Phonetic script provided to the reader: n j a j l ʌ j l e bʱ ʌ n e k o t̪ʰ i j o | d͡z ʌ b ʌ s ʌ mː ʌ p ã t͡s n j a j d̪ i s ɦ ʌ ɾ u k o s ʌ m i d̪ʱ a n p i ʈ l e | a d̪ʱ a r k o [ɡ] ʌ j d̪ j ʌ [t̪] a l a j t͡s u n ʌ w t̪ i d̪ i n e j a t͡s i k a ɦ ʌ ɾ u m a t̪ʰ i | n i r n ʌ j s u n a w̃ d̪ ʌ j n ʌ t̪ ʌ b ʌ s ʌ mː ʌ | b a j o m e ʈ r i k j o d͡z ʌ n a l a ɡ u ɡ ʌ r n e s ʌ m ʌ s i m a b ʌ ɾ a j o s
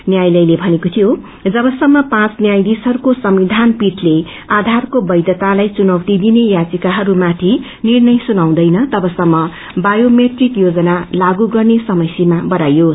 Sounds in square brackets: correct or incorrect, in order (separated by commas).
incorrect, correct